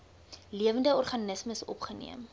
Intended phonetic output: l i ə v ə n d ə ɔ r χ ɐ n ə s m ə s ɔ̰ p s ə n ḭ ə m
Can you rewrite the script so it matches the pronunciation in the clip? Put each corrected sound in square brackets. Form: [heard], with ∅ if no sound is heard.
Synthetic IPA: l i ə v ə n d ə ɔ r χ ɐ n ə s m ə s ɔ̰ p [χ] ə n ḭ ə m